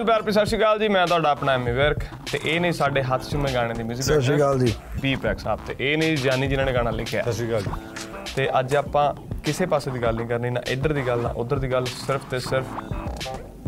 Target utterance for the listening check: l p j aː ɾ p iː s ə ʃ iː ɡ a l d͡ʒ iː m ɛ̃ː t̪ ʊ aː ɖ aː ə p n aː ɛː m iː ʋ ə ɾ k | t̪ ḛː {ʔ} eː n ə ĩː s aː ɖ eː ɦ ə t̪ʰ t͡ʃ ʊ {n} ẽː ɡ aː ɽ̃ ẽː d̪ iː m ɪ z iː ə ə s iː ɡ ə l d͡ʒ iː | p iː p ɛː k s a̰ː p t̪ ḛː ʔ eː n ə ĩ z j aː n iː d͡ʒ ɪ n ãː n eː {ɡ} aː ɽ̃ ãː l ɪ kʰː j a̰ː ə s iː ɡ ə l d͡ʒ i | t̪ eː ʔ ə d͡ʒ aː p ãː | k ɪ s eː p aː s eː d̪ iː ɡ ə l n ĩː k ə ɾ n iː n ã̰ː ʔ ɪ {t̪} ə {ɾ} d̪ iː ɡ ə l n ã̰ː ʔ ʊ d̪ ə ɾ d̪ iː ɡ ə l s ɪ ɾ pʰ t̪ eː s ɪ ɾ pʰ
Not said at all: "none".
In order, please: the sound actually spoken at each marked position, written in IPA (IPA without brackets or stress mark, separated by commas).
ʔ, m, ɡ, d̪, ɾ